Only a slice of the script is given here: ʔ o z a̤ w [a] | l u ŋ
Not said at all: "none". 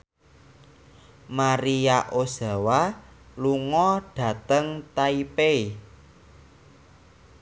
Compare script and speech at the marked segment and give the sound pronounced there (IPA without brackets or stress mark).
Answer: a